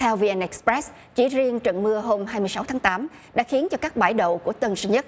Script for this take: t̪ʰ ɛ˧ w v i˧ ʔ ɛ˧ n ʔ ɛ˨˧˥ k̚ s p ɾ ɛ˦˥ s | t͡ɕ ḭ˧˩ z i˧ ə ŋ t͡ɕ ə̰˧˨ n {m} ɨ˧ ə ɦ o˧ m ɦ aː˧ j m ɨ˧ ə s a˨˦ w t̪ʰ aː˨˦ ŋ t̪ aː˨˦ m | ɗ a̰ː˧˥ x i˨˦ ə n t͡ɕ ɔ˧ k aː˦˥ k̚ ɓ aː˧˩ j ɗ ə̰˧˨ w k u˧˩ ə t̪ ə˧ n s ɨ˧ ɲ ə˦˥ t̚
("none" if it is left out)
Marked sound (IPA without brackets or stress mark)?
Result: m